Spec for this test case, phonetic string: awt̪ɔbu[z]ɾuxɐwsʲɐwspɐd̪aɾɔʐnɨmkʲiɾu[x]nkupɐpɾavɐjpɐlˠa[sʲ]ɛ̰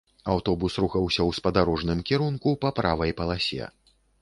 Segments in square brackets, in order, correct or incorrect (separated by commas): incorrect, incorrect, correct